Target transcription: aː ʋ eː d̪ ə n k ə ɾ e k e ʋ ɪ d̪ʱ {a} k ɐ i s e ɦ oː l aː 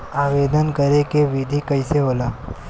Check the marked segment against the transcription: incorrect: i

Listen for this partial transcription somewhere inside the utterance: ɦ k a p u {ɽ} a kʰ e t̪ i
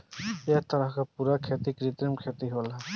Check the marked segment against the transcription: incorrect: ɾ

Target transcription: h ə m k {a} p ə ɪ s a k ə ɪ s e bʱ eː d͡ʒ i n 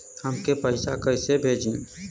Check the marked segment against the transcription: incorrect: e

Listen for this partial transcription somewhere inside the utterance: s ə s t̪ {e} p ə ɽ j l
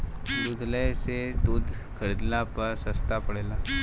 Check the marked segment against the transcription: incorrect: a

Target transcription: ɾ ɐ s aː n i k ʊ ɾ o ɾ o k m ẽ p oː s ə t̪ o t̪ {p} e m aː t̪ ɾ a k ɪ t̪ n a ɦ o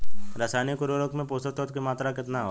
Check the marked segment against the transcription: incorrect: k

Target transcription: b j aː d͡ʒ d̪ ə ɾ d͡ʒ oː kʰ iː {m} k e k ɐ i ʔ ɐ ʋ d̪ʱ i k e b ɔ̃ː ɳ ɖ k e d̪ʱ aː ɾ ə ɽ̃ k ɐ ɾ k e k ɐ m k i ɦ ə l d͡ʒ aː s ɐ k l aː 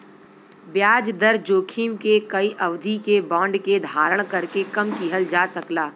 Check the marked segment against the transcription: correct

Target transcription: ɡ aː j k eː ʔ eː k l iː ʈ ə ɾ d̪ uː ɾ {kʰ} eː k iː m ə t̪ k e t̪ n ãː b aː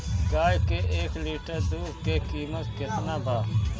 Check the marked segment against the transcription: incorrect: k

